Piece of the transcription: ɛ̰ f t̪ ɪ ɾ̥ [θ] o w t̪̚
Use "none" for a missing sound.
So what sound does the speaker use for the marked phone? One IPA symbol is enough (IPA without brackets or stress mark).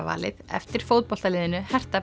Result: f